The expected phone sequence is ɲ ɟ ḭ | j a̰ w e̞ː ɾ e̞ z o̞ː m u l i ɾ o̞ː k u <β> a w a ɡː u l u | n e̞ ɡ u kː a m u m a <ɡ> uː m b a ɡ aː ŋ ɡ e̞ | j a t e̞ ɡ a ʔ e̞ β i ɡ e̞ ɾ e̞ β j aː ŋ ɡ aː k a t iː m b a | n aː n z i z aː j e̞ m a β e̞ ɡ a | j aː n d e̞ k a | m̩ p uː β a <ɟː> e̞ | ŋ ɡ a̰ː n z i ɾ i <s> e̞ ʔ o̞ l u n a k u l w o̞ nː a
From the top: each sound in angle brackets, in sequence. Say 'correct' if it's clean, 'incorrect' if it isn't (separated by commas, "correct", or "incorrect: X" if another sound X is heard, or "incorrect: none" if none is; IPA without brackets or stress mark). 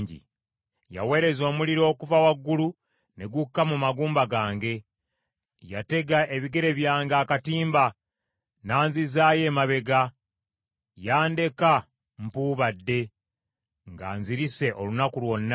incorrect: v, correct, incorrect: dː, correct